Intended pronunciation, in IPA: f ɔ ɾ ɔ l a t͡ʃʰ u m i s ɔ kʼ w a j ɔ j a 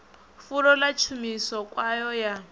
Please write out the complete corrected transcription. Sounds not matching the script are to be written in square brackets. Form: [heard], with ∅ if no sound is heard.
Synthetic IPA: f [u] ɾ ɔ l a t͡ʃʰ u m i s ɔ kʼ w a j ɔ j a